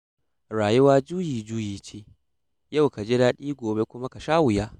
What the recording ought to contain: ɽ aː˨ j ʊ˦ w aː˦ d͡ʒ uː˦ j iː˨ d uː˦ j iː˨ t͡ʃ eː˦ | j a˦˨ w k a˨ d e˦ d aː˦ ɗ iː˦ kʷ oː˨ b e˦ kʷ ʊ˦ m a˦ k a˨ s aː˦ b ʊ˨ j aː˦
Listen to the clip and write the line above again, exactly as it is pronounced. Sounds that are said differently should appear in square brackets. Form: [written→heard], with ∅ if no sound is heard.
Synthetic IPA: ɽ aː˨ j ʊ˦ w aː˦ d͡ʒ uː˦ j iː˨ [d→d͡ʒ] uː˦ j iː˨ t͡ʃ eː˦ | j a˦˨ w k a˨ [d→d͡ʒ] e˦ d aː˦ ɗ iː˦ [kʷ→ɡʷ] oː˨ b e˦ kʷ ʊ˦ m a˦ k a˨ [s→ʃ] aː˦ [b→w] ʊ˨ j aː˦

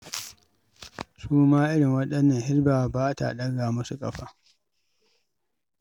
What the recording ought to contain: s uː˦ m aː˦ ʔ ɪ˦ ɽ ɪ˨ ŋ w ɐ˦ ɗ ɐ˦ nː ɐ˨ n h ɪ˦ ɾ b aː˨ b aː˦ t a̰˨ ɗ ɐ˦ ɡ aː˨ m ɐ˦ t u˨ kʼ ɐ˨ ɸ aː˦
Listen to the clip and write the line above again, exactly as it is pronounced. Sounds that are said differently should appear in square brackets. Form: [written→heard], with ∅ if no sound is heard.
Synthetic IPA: s uː˦ m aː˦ ʔ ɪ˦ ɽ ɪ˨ ŋ w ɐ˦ ɗ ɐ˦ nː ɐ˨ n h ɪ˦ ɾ b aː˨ b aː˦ t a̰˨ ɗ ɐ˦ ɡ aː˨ m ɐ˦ [t→s] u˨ kʼ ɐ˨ ɸ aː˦

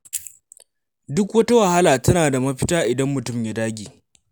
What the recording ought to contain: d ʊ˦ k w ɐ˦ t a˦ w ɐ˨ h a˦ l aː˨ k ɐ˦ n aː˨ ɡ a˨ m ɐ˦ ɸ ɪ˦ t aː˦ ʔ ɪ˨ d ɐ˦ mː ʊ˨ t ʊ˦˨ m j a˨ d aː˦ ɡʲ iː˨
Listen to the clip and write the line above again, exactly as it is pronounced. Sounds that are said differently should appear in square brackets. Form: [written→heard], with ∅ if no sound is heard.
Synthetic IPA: d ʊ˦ k w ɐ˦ t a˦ w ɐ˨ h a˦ l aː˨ [k→t] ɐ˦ n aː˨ [ɡ→d] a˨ m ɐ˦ ɸ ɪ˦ t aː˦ ʔ ɪ˨ d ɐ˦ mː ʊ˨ t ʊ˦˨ m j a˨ d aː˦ ɡʲ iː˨

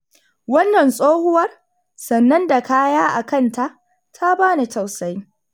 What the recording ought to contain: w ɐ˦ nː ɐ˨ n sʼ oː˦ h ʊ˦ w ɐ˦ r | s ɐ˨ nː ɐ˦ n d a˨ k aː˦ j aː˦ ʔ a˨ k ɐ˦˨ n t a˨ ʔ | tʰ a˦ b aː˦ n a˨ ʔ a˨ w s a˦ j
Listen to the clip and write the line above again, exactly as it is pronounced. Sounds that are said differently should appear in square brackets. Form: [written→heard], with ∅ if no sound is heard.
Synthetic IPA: w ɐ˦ nː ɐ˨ n sʼ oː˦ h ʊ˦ w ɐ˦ r | s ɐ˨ nː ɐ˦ n d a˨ k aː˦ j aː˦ ʔ a˨ k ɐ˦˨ n t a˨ ʔ | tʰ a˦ b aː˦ n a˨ [ʔ→t] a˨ w s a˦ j

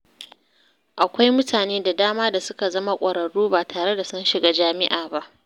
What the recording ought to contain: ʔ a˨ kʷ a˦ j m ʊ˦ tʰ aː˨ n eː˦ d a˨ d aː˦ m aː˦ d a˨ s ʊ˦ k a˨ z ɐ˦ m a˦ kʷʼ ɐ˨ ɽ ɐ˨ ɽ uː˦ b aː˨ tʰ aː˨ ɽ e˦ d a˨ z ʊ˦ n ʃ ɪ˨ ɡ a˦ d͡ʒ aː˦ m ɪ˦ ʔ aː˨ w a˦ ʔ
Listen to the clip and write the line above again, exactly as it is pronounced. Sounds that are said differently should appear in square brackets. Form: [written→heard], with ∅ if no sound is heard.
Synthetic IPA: ʔ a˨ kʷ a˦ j m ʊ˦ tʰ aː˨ n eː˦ d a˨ d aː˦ m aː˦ d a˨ s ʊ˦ k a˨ z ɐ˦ m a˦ kʷʼ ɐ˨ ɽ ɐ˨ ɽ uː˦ b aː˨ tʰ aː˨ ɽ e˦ d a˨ [z→s] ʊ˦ n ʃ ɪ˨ ɡ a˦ d͡ʒ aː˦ m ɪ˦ ʔ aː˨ [w→b] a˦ ʔ

